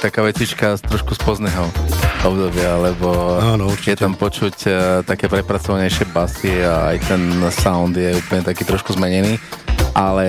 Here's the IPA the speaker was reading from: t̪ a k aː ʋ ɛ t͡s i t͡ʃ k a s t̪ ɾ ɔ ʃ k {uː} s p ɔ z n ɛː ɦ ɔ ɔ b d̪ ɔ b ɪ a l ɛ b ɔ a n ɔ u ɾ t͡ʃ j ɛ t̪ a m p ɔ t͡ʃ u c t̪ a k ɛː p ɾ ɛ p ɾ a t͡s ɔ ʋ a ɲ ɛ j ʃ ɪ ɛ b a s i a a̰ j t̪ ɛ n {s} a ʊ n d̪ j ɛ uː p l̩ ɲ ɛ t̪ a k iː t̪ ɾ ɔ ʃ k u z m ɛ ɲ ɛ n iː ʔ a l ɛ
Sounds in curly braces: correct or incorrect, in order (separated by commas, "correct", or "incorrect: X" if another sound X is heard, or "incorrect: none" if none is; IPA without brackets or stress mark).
incorrect: u, correct